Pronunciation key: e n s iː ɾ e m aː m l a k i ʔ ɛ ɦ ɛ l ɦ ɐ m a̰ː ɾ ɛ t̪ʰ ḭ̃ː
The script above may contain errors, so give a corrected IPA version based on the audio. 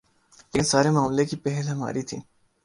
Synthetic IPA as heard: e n s aː ɾ e m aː m l e k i p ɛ ɦ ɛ l ɦ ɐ m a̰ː ɾ i t̪ʰ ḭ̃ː